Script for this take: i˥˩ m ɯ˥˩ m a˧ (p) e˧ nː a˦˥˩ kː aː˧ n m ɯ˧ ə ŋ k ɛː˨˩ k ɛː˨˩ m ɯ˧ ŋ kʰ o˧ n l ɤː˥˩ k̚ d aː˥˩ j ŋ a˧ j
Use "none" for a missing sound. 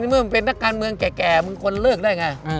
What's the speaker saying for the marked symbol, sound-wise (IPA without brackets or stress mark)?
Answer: p